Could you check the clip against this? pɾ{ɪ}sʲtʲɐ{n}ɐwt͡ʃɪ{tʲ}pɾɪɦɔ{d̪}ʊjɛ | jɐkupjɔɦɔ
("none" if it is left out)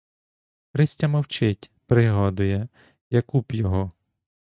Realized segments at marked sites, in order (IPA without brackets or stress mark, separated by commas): ɪ, m, tʲ, d̪